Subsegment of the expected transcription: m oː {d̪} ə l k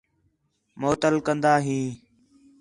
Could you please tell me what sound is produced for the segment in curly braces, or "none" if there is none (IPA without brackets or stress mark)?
t̪